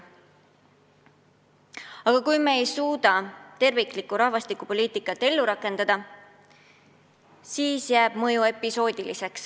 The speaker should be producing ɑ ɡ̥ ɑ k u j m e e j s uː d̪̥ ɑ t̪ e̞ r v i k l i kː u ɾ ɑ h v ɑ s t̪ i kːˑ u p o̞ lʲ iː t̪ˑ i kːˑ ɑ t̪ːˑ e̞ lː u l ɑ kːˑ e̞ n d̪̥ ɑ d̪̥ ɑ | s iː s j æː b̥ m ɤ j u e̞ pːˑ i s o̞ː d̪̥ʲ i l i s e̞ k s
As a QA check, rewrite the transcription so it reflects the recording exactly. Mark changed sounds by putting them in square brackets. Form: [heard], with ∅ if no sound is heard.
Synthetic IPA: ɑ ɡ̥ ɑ k u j m e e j s uː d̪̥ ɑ t̪ e̞ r v i k l i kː u ɾ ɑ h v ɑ s t̪ i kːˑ u p o̞ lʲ iː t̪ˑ i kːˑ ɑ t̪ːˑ e̞ lː u [ɾ] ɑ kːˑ e̞ n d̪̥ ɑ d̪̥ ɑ | s iː s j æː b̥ m ɤ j u e̞ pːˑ i s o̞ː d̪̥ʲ i l i s e̞ k s